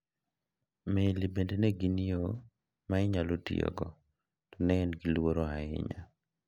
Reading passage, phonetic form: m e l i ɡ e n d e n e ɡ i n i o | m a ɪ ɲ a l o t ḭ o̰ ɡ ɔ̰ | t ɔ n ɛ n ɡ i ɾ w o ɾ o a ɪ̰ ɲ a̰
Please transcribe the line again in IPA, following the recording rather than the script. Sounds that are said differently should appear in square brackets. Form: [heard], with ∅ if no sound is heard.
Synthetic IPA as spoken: m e l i [b] e n d e n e ɡ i n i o | m a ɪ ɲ a l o t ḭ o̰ ɡ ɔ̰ | t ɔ n ɛ n ɡ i [l] w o ɾ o a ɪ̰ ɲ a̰